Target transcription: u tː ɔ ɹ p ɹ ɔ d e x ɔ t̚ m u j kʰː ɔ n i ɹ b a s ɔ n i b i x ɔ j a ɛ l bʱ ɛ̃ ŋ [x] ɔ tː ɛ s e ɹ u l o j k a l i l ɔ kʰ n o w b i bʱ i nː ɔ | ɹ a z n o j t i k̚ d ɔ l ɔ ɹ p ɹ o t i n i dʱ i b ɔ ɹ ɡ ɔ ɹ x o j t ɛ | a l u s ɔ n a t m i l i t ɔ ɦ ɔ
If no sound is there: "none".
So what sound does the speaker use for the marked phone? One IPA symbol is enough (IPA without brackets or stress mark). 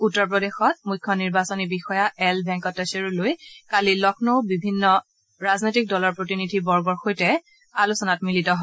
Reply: k